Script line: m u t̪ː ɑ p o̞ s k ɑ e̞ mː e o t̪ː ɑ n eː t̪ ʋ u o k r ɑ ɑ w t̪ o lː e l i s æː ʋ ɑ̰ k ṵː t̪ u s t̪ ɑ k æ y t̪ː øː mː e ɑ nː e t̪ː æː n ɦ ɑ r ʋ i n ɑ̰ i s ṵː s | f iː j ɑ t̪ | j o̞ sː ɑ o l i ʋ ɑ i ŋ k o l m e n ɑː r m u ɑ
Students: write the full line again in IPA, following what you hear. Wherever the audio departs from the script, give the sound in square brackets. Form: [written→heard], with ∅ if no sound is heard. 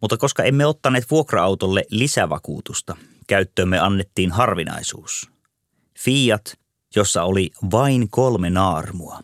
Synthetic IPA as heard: m u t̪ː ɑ [p→k] o̞ s k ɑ e̞ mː e o t̪ː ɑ n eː t̪ ʋ u o k r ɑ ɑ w t̪ o lː e l i s [æː→æ] ʋ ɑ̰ k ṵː t̪ u s t̪ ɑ k æ y t̪ː øː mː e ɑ nː e t̪ː [æː→iː] n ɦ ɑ r ʋ i n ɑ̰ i s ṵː s | f iː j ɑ t̪ | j o̞ sː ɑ o l i ʋ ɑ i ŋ k o l m e n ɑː r m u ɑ